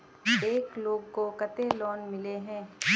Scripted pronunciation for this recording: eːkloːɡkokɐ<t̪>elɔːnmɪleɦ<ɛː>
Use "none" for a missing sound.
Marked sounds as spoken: t̪, ɛ̃ː

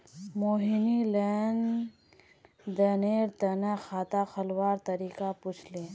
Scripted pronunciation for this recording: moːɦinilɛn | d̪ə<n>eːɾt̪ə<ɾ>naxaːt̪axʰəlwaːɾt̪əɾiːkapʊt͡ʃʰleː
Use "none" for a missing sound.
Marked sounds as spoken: n, none

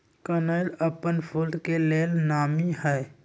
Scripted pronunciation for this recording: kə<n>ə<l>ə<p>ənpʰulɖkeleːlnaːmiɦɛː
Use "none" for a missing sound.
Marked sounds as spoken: n, l, p

